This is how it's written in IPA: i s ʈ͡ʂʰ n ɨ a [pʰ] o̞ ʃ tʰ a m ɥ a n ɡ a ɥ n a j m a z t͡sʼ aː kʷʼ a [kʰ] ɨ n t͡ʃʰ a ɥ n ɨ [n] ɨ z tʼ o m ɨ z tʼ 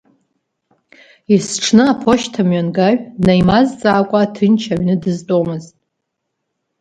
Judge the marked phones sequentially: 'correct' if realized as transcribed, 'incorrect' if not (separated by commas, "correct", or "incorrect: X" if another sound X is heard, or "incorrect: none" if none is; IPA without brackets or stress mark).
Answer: correct, incorrect: tʰ, incorrect: d